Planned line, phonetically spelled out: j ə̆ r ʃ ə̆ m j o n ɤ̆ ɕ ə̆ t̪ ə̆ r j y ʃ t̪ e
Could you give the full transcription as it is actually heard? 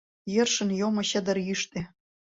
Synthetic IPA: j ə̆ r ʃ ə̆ n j o m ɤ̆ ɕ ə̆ d̪ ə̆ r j y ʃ t̪ e